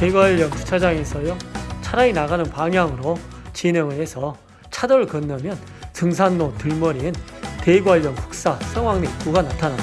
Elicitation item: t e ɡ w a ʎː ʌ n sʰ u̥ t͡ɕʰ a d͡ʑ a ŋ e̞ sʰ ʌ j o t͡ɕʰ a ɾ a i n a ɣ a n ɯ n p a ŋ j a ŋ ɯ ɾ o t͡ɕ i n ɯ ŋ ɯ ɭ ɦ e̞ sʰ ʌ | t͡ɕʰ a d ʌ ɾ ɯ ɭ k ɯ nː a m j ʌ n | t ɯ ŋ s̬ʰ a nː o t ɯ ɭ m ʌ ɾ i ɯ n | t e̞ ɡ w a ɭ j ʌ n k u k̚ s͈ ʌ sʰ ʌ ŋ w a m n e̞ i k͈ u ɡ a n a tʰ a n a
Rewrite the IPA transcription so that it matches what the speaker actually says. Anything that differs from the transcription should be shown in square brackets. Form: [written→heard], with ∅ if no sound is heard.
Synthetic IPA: t e ɡ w a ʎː ʌ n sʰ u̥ t͡ɕʰ a d͡ʑ a ŋ e̞ sʰ ʌ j o t͡ɕʰ a ɾ a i n a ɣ a n ɯ n p a ŋ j a ŋ ɯ ɾ o t͡ɕ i n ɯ ŋ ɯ ɭ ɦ e̞ sʰ ʌ | t͡ɕʰ a d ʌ ɾ ɯ ɭ k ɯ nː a m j ʌ n | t ɯ ŋ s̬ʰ a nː o t ɯ ɭ m ʌ ɾ i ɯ n | t e̞ ɡ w a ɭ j ʌ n k u k̚ s͈ [ʌ→a] sʰ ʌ ŋ w a [m→ŋ] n e̞ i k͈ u ɡ a n a tʰ a n a